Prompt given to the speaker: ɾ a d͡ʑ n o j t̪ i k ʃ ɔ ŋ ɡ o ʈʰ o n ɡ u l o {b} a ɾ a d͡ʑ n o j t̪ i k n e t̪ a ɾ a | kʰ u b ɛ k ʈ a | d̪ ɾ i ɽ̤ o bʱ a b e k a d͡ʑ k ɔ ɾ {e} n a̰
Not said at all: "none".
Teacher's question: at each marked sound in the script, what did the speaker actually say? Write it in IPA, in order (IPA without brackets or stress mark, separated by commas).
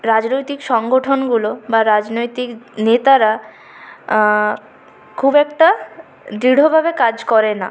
b, e